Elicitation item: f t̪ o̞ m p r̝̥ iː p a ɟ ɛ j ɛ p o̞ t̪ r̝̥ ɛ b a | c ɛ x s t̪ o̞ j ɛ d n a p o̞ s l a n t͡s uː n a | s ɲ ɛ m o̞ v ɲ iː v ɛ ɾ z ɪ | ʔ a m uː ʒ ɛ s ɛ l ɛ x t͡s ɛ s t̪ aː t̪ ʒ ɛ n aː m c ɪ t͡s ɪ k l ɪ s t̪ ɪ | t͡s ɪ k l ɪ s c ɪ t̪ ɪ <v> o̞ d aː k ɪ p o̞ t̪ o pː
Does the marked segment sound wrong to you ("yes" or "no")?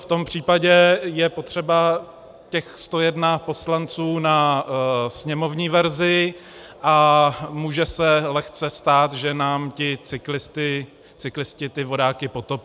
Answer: no